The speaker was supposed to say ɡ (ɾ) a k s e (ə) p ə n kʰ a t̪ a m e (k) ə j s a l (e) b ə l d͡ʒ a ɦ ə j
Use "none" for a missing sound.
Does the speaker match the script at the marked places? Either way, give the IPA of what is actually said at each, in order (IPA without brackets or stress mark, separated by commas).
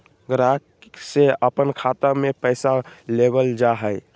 ɾ, ə, p, e